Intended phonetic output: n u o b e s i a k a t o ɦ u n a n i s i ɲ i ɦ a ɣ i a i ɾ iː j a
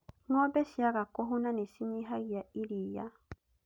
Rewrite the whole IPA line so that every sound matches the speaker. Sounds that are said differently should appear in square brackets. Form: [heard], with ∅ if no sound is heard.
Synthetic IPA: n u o b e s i a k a [k] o ɦ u n a n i s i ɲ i ɦ a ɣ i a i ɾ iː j a